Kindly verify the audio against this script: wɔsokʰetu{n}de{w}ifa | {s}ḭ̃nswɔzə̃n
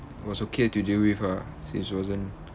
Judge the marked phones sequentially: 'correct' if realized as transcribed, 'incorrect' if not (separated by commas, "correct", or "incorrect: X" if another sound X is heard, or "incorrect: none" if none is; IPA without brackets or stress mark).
incorrect: none, correct, correct